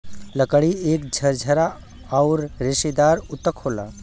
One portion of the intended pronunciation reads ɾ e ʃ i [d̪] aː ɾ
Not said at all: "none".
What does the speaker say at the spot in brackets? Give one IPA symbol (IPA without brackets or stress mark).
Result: d̪